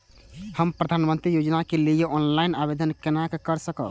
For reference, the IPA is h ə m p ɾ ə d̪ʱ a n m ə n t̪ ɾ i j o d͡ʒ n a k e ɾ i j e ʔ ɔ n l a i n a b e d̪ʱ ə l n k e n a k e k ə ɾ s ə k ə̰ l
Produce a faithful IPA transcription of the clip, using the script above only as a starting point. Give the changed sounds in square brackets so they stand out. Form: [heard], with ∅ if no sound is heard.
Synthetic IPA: h ə m p ɾ ə d̪ʱ a n m ə n t̪ ɾ i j o d͡ʒ n a k e [l] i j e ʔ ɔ n l a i n a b e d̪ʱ ə [∅] n k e n a k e k ə ɾ s ə k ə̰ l